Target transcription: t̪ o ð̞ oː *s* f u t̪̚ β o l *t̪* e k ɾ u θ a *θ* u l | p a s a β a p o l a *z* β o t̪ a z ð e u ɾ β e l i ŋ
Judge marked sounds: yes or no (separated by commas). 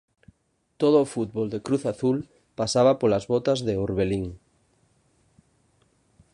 no, no, yes, yes